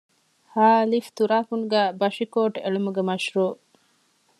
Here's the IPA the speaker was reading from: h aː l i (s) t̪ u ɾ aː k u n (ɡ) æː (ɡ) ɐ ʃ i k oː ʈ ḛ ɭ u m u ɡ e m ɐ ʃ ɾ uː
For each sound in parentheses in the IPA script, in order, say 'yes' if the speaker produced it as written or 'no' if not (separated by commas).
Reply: no, yes, no